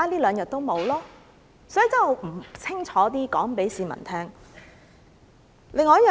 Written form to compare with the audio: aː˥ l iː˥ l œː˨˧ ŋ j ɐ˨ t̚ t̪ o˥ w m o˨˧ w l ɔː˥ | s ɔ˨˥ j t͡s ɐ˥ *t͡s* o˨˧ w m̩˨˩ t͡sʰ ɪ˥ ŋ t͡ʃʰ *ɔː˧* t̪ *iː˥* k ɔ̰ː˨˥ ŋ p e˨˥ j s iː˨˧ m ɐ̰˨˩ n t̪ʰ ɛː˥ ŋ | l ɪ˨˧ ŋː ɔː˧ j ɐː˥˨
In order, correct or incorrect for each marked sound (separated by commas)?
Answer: incorrect, incorrect, correct